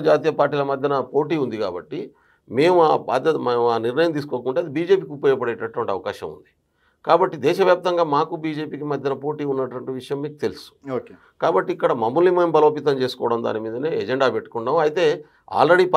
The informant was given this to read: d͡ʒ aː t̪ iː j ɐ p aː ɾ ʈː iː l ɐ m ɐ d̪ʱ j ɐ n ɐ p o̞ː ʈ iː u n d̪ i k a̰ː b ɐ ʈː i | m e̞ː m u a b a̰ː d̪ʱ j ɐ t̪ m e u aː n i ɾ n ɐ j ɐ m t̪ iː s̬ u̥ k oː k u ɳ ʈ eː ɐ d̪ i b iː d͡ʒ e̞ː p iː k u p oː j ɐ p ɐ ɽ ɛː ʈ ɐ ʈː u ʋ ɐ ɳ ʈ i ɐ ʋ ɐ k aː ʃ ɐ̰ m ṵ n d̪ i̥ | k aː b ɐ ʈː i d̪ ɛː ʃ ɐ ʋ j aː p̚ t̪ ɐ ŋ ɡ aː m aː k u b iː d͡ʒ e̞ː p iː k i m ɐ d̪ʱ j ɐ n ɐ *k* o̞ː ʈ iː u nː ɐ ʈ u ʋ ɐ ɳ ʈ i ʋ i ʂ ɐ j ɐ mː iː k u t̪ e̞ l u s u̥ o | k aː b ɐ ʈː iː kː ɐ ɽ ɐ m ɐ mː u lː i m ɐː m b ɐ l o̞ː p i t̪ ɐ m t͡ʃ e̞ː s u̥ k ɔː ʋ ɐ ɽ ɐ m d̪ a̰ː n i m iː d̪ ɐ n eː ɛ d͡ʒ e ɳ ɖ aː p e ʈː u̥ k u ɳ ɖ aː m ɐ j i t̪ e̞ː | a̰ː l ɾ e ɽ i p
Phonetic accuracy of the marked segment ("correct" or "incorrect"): incorrect